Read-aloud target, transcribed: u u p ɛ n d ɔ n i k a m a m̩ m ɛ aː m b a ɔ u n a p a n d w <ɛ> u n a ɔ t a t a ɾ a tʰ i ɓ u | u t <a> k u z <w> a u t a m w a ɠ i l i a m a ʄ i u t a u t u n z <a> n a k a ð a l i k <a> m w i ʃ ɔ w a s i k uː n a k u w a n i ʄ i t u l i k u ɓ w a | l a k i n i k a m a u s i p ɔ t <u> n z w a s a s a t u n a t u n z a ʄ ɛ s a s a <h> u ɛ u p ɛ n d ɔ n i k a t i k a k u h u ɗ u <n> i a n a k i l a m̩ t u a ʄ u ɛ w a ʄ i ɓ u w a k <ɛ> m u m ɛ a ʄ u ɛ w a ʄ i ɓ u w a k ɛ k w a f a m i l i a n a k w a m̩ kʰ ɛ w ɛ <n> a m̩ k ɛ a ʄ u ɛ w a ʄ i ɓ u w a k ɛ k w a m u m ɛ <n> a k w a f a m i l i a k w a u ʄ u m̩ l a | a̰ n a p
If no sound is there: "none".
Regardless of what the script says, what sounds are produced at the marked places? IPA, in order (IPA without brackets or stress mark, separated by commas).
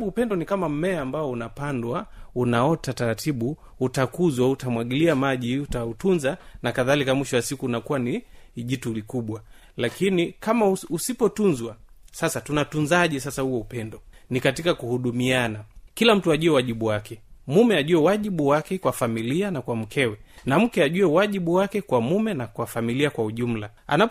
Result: a, a, w, a, a, u, h, m, ɛ, n, n